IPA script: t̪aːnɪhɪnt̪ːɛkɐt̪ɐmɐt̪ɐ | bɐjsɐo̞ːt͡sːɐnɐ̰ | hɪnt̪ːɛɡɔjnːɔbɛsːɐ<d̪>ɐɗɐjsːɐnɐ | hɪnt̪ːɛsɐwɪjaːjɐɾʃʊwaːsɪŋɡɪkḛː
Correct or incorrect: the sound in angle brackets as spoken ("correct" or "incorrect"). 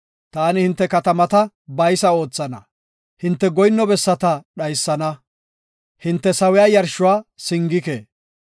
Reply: incorrect